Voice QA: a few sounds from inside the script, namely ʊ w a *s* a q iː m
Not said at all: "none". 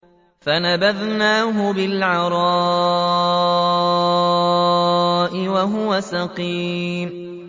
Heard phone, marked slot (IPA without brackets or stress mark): s